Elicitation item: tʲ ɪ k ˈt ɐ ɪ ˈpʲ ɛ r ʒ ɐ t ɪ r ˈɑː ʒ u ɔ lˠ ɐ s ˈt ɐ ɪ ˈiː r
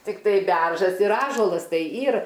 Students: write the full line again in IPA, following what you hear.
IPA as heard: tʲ ɪ k ˈt ɐ ɪ ˈbʲ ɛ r ʒ ɐ s ɪ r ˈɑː ʒ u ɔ lˠ ɐ s ˈt ɐ ɪ ˈiː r

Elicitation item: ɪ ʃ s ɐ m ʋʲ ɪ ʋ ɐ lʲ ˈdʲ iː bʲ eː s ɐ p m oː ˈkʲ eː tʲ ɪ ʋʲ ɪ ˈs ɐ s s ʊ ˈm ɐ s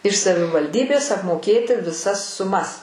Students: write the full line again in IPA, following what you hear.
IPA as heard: ɪ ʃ s ɐ ʋʲ ɪ ʋ ɐ lʲ ˈdʲ iː bʲ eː s ɐ p m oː ˈkʲ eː tʲ ɪ ʋʲ ɪ ˈs ɐ s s ʊ ˈm ɐ s

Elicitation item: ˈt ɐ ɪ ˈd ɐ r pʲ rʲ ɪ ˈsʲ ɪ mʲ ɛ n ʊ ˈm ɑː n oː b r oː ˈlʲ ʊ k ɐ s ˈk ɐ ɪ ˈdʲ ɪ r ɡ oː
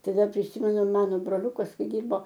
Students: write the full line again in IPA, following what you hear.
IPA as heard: ˈt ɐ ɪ ˈd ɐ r pʲ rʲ ɪ ˈsʲ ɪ mʲ ɛ n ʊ ˈm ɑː n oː b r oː ˈlʲ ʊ k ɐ s ˈk ɐ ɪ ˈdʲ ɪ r b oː

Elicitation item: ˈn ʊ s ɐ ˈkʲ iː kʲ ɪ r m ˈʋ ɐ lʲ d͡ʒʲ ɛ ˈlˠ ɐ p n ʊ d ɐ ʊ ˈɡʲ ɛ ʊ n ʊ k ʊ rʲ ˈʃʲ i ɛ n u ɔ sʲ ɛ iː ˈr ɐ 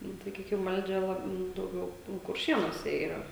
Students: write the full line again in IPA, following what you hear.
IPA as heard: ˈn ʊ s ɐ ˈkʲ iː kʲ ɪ m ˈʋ ɐ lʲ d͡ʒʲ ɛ ˈlˠ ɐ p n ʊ d ɐ ʊ ˈɡʲ ɛ ʊ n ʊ k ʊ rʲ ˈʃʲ i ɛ n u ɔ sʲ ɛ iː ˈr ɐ

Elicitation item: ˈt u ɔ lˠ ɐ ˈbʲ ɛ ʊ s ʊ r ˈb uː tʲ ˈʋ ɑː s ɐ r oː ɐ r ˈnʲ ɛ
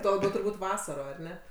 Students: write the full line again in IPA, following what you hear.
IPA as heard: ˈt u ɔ lˠ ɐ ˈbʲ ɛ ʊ t ʊ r ˈb uː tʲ ˈʋ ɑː s ɐ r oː ɐ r ˈnʲ ɛ

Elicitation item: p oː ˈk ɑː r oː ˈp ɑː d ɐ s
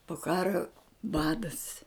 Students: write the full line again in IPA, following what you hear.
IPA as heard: p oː ˈk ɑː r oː ˈb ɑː d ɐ s

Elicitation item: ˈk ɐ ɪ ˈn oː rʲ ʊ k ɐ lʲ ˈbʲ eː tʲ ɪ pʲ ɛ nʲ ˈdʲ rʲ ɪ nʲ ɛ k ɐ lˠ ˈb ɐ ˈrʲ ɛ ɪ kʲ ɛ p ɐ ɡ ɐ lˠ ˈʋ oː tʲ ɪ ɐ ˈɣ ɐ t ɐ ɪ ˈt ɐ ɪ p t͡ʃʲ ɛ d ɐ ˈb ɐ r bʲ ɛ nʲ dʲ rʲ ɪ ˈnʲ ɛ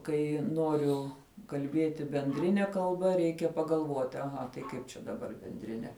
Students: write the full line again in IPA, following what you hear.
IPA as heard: ˈk ɐ ɪ ˈn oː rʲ ʊ k ɐ lʲ ˈbʲ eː tʲ ɪ bʲ ɛ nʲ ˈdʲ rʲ ɪ nʲ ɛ k ɐ lˠ ˈb ɐ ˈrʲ ɛ ɪ kʲ ɛ p ɐ ɡ ɐ lˠ ˈʋ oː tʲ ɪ ɐ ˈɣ ɐ t ɐ ɪ ˈk ɐ ɪ p t͡ʃʲ ɛ d ɐ ˈb ɐ r bʲ ɛ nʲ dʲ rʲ ɪ ˈnʲ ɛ

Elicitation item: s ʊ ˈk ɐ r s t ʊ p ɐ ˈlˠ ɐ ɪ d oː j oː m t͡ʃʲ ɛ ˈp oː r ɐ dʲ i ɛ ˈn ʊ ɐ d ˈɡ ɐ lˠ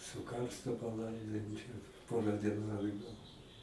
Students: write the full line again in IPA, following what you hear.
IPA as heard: s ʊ ˈk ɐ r s t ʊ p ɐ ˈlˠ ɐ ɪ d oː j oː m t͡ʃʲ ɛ ˈp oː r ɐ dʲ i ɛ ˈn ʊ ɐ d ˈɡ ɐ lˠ

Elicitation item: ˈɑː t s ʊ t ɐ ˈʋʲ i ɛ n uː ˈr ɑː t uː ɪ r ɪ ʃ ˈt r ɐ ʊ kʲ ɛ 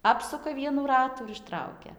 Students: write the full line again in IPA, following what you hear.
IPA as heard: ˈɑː p s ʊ k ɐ ˈʋʲ i ɛ n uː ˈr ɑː t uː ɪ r ɪ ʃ ˈt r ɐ ʊ kʲ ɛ

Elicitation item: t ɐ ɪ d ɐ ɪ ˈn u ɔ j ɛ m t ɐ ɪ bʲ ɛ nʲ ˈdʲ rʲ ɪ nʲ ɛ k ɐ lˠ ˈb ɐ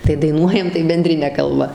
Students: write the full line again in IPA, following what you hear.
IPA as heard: t ɐ ɪ d ɐ ɪ ˈn u ɔ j ɛ m t ɐ ɪ bʲ ɛ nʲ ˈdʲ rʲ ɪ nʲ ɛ k ɐ lˠ ˈb ɐ

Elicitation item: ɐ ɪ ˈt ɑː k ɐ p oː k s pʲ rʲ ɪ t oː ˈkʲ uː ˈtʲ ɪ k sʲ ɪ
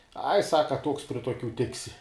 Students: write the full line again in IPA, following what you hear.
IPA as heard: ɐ ɪ ˈs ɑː k ɐ t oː k s pʲ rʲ ɪ t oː ˈkʲ uː ˈtʲ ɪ k sʲ ɪ

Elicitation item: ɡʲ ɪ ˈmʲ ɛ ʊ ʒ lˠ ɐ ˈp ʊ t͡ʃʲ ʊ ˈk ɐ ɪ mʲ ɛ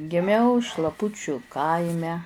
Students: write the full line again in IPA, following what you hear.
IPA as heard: ɡʲ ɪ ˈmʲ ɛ ʊ ʃ lˠ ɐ ˈp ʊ t͡ʃʲ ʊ ˈk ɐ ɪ mʲ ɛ

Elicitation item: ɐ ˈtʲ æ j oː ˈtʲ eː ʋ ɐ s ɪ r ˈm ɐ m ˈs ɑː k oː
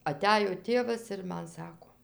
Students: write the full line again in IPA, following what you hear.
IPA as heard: ɐ ˈtʲ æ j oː ˈtʲ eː ʋ ɐ s ɪ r ˈm ɐ n ˈs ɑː k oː

